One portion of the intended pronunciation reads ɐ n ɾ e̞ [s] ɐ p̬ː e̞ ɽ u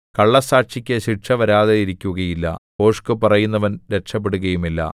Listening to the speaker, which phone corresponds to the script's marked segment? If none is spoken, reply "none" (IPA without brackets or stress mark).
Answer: ʂ